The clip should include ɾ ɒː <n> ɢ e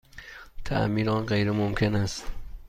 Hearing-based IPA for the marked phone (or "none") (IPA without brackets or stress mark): n